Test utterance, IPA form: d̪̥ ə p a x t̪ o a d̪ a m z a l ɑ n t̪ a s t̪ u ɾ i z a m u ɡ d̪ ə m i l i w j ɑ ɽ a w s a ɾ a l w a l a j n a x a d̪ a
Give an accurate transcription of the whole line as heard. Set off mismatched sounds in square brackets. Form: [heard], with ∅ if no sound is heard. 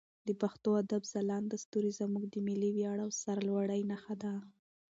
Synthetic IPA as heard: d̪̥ ə p a x t̪ o a d̪ a [b] z a l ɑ n [d̪] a s t̪ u ɾ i z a m u ɡ d̪ ə m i l i w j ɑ ɽ a w s a ɾ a l w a [ɽ] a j n a x a d̪ a

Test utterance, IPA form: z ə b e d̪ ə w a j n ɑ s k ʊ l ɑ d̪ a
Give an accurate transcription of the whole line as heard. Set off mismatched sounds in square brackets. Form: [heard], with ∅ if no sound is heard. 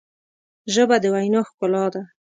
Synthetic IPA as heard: [ʒ] ə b [a] d̪ ə w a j n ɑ [x] k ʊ l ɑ d̪ a

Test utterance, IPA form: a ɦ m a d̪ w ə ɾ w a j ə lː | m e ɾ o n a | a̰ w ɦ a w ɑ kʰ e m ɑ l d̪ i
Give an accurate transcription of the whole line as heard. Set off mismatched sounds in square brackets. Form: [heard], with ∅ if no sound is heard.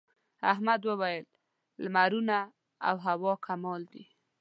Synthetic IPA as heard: a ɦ m a d̪ w ə [∅] w a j ə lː | m [a] ɾ [u] n a | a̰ w ɦ a w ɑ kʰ [a] m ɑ l d̪ i

